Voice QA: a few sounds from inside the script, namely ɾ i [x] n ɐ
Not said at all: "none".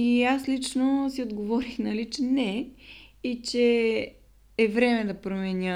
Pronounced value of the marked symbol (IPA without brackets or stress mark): x